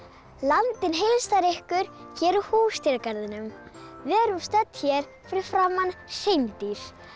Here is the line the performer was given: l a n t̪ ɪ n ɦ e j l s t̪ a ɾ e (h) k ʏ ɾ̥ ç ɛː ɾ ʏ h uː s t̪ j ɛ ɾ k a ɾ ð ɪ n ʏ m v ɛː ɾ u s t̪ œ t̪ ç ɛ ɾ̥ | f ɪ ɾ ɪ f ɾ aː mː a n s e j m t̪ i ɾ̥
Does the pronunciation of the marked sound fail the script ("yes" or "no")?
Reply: no